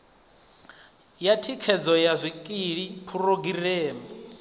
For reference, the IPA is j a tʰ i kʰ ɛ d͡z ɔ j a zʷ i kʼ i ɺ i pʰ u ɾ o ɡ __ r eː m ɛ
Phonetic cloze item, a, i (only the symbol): i